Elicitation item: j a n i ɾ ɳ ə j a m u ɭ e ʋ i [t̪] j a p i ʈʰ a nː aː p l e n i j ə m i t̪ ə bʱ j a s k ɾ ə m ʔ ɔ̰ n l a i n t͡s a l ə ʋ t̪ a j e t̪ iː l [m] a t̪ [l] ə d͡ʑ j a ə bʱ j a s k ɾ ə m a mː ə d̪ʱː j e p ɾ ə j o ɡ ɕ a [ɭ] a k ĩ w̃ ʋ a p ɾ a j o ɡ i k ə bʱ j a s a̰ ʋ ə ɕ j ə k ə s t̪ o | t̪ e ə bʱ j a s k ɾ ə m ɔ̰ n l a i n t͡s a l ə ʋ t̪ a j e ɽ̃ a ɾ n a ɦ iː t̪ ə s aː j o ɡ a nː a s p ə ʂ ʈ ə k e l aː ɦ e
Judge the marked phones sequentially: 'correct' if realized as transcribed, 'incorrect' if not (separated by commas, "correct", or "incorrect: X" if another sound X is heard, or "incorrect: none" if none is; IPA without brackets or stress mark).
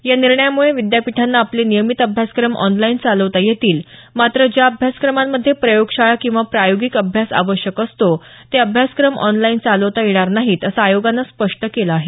incorrect: d̪, correct, incorrect: ɾ, correct